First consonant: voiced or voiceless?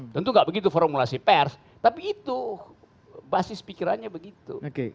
voiceless